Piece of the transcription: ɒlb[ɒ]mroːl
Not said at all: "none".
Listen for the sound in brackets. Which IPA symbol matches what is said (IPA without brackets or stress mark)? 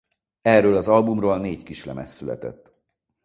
u